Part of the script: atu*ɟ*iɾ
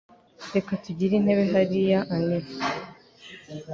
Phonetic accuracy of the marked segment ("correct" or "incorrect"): correct